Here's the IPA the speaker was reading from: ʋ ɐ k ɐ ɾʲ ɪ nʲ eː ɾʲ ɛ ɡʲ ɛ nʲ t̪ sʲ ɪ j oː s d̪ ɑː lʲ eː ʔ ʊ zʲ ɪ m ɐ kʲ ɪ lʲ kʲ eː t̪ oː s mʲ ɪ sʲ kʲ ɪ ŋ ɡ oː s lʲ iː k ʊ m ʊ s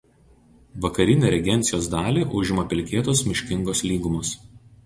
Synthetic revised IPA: ʋ ɐ k ɐ ɾʲ ɪ nʲ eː ɾʲ ɛ ɡʲ ɛ nʲ t̪ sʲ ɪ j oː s d̪ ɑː lʲ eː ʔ ʊ ʒʲ ɪ m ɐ pʲ ɪ lʲ kʲ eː t̪ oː s mʲ ɪ ʃʲ kʲ ɪ ŋ ɡ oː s lʲ iː ɡ ʊ m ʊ s